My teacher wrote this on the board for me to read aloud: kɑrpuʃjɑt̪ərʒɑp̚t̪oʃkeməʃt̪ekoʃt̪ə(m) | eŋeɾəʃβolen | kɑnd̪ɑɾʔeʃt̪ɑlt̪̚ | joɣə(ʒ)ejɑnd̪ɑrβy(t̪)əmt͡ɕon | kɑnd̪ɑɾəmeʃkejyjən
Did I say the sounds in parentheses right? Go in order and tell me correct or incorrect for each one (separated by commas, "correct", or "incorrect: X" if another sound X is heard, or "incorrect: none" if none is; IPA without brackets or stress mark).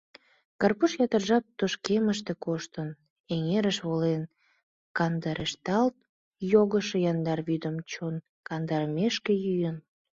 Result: incorrect: n, incorrect: ʃ, incorrect: d̪